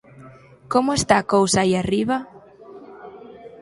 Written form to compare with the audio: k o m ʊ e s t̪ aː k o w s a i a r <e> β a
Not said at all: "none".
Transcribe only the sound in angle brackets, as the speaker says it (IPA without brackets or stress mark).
i